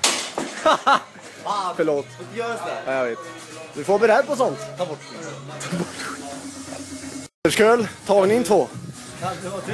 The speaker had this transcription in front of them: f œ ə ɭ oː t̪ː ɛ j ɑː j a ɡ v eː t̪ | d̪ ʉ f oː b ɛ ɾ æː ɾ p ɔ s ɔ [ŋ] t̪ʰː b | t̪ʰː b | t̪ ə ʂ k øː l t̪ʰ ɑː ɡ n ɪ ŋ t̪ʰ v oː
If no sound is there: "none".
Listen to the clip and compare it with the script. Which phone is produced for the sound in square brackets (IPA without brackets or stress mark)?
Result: n